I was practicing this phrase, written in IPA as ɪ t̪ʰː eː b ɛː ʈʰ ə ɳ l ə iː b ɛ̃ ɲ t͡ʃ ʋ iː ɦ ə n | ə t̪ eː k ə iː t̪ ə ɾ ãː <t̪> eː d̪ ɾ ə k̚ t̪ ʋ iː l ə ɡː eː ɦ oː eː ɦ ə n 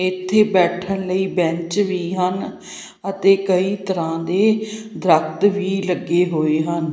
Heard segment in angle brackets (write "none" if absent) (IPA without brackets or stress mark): d̪